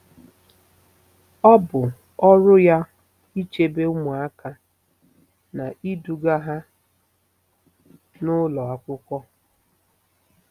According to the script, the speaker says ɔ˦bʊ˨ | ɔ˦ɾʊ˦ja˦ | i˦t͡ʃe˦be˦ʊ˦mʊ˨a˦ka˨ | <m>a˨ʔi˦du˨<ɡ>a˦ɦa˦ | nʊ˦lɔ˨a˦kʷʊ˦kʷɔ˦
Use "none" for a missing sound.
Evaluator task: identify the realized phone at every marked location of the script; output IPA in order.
n, ɡ

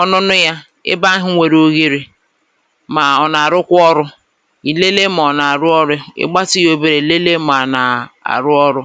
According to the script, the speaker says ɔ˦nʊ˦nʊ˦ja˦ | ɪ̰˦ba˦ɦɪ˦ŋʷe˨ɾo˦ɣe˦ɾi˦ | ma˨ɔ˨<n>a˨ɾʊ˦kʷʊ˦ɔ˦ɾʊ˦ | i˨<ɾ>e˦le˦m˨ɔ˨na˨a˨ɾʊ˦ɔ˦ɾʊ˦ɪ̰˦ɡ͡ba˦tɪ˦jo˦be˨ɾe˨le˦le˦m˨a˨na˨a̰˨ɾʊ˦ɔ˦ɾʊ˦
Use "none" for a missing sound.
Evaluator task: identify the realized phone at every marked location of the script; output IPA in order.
n, l

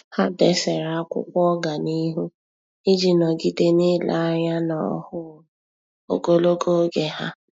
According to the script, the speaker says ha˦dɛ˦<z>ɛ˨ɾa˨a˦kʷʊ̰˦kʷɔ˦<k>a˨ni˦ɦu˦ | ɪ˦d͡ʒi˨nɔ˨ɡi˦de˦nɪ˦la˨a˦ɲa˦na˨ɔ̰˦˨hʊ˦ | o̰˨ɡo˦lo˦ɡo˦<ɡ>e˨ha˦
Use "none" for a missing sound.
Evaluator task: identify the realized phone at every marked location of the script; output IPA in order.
s, ɡ, ɡ

